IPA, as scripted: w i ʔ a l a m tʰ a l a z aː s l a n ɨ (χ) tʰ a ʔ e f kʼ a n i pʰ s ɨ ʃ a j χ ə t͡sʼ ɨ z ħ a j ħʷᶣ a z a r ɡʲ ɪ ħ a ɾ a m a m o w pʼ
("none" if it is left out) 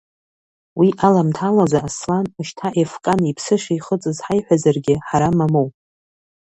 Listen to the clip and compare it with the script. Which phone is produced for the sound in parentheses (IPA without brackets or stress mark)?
ʃ